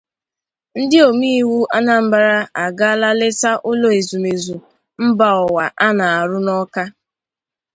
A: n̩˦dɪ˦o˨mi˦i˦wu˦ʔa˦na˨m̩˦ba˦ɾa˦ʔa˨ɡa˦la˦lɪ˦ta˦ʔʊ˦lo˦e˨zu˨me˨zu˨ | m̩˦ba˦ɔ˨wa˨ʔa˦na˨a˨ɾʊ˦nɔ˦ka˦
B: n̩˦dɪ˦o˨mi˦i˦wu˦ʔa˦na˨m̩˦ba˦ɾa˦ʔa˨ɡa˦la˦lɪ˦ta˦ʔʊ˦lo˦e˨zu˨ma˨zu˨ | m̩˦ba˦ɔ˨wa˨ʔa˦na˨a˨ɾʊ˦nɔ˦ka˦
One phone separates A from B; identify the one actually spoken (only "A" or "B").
A